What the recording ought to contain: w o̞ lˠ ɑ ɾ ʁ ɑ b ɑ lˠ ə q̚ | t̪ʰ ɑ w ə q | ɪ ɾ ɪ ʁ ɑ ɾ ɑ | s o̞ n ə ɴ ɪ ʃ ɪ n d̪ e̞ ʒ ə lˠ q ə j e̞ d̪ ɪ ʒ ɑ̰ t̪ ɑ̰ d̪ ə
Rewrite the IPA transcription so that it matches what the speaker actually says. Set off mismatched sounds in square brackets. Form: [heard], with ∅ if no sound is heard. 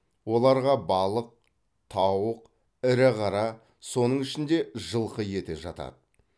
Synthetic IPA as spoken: w o̞ lˠ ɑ ɾ ʁ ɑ b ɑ lˠ ə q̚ | t̪ʰ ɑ w ə q | ɪ ɾ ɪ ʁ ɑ ɾ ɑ | s o̞ n ə ɴ ɪ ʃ ɪ n d̪ e̞ ʒ ə lˠ q ə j e̞ [t̪] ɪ ʒ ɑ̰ t̪ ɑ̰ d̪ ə

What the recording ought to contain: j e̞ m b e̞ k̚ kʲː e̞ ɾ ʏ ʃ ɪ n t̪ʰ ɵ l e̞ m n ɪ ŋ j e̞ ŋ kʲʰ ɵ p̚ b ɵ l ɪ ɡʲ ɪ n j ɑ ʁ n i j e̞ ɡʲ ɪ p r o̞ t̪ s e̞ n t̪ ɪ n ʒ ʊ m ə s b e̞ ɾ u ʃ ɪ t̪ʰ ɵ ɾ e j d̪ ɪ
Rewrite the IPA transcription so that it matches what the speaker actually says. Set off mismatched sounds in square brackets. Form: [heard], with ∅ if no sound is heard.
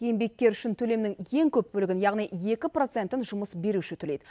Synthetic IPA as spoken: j e̞ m b e̞ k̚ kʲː e̞ ɾ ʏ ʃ ɪ n t̪ʰ ɵ l e̞ m n ɪ ŋ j e̞ ŋ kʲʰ ɵ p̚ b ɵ l ɪ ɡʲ ɪ n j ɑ ʁ n i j e̞ [kʲ] ɪ p r o̞ t̪ s e̞ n t̪ ɪ n ʒ ʊ m ə s b e̞ ɾ u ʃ ɪ t̪ʰ ɵ [l] e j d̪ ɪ

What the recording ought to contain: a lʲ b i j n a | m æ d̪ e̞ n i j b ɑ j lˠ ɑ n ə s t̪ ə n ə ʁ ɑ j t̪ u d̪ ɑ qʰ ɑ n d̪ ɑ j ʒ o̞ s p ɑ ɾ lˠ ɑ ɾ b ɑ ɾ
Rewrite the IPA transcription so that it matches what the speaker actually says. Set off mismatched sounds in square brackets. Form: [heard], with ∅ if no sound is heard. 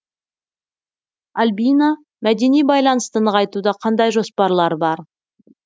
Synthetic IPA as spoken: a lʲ b i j n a | m æ d̪ e̞ n i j b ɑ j lˠ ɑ n ə s t̪ ə n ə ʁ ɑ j t̪ u d̪ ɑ qʰ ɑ n d̪ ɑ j ʒ o̞ s p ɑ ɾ lˠ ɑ ɾ b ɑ ɾ

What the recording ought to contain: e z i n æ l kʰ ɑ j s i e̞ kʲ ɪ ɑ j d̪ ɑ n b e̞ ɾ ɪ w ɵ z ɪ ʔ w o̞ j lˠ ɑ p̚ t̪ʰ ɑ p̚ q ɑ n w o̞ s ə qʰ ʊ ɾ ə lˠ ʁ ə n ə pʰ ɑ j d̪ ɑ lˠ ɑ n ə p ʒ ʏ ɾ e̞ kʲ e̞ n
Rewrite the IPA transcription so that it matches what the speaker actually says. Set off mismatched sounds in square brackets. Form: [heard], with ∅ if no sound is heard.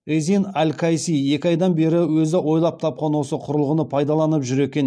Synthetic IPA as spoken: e z i n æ l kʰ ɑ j s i e̞ kʲ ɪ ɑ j d̪ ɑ n b e̞ ɾ ɪ w ɵ z ɪ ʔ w o̞ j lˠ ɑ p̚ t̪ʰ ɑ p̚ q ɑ n w o̞ s ə qʰ ʊ ɾ ə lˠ ʁ ə n ə pʰ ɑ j d̪ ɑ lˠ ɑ n ə p ʒ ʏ ɾ e̞ kʲ e̞ n

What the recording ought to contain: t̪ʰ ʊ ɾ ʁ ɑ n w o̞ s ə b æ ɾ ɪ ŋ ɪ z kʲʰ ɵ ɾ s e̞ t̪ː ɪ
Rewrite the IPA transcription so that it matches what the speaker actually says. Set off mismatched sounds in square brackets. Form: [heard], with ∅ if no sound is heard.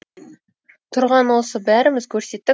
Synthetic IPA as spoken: t̪ʰ ʊ ɾ ʁ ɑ n w o̞ s ə b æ ɾ ɪ [m] ɪ z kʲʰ ɵ ɾ s e̞ t̪ː ɪ

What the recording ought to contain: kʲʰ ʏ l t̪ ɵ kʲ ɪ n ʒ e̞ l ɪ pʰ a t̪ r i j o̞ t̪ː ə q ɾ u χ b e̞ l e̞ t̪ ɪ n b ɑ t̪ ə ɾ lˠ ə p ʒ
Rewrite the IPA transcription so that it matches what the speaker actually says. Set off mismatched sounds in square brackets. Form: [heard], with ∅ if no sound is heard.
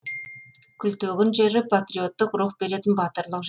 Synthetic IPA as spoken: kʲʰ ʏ l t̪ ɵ [ɡʲ] ɪ n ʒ e̞ [ɾ] ɪ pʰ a t̪ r i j o̞ t̪ː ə q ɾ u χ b e̞ [ɾ] e̞ t̪ ɪ n b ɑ t̪ ə ɾ lˠ ə [q] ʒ

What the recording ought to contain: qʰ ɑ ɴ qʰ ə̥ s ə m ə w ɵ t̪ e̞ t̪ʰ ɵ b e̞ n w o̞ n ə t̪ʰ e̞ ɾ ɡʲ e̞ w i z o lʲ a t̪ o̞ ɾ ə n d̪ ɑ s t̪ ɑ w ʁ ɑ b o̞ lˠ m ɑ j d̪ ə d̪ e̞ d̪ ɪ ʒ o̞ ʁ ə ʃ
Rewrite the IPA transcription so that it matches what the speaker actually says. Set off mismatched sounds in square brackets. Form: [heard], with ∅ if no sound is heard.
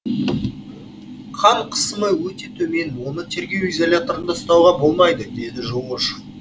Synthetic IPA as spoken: qʰ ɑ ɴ qʰ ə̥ s ə m ə w ɵ t̪ e̞ t̪ʰ ɵ [m] e̞ n w o̞ n ə t̪ʰ e̞ ɾ ɡʲ e̞ w i z o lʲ a t̪ o̞ ɾ ə n d̪ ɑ s t̪ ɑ w ʁ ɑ b o̞ lˠ m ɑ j d̪ ə d̪ e̞ d̪ ɪ ʒ o̞ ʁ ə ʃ

